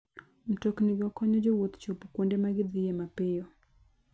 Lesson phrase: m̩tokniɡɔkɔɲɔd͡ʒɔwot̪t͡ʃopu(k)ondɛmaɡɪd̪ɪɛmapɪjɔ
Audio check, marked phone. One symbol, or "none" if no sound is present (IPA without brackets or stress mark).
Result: k